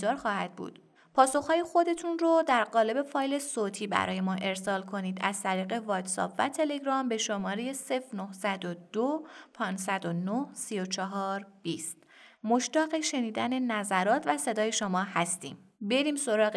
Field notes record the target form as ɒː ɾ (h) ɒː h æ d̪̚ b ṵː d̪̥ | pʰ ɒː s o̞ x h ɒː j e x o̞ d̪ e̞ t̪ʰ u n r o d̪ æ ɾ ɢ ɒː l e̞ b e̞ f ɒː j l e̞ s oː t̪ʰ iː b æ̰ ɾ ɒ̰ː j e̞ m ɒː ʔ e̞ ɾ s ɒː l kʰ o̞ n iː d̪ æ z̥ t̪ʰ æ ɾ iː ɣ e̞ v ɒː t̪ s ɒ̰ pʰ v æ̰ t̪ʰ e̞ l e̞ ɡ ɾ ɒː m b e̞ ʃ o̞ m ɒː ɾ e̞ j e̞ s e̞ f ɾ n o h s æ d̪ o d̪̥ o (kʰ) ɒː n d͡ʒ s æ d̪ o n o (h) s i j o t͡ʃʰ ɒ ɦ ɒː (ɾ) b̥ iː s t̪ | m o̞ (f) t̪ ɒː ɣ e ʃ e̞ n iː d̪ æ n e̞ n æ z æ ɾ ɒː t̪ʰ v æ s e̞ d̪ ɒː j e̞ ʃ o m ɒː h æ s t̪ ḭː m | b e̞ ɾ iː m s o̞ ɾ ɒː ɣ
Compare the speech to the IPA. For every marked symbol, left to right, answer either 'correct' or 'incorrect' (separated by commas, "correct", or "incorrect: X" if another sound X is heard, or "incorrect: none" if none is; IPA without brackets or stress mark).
incorrect: x, incorrect: pʰ, correct, correct, incorrect: ʃ